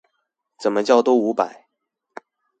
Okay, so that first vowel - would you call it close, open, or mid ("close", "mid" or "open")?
mid